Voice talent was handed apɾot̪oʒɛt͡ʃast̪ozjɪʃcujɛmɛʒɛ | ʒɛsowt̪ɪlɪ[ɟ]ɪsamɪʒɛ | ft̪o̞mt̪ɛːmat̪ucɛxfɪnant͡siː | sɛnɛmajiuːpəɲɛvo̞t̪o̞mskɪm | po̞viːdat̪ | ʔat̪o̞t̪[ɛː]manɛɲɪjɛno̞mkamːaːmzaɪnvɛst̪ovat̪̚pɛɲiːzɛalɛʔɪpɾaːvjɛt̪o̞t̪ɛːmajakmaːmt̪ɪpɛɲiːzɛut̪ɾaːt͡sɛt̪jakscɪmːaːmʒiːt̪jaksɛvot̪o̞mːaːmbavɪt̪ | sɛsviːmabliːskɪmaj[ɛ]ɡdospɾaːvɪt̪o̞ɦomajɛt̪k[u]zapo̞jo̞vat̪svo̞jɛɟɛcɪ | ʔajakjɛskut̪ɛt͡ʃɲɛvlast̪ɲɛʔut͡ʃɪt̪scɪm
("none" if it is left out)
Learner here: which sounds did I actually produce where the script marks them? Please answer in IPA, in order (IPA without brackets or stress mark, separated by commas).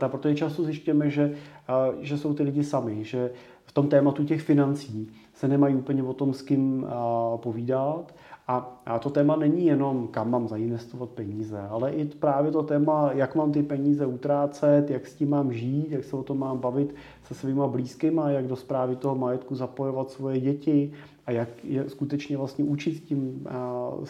ɟ, ɛː, a, u